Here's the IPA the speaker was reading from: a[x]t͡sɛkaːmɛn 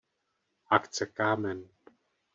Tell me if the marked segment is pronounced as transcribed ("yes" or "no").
no